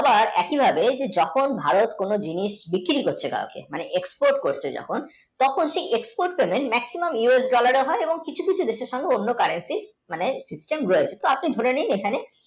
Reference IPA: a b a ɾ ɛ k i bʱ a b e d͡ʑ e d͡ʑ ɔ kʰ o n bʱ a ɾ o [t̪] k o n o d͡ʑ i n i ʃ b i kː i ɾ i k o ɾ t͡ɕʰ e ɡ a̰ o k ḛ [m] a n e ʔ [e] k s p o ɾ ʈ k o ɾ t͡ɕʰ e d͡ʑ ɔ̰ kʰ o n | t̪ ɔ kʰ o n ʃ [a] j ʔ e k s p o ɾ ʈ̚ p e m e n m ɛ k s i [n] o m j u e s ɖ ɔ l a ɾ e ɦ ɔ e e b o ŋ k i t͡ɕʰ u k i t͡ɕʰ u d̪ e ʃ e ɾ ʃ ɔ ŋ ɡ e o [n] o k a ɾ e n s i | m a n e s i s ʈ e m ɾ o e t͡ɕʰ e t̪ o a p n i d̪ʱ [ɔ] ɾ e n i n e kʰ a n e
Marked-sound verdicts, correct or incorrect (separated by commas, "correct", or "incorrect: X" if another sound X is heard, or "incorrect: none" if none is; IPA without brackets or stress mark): correct, correct, correct, incorrect: e, incorrect: m, incorrect: nː, incorrect: o